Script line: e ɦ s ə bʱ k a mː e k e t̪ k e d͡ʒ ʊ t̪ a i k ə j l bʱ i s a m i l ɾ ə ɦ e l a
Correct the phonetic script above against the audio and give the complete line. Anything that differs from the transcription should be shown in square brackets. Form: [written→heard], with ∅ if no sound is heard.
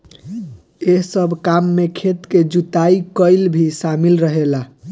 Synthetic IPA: e ɦ s ə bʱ k a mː e [k→kʰ] e t̪ k e d͡ʒ [ʊ→u] t̪ a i k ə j l bʱ i s a m i l ɾ ə ɦ e l a